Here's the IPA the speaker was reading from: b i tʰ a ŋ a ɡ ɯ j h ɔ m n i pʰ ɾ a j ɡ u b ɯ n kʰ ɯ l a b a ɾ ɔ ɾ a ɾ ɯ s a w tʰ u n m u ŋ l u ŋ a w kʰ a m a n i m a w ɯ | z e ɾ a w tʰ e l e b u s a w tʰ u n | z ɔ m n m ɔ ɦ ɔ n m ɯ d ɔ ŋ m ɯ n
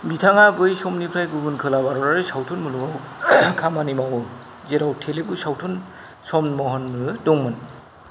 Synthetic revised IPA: b i tʰ a ŋ a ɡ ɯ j s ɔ m n i pʰ ɾ a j ɡ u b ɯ n kʰ ɯ l a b a ɾ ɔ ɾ a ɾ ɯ s a w tʰ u n m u l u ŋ a w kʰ a m a n i m a w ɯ | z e ɾ a w tʰ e l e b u s a w tʰ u n | s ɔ m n m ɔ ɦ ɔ n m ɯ d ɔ ŋ m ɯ n